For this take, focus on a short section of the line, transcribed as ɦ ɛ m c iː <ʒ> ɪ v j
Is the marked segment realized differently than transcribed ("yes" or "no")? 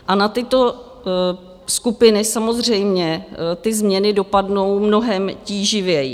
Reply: no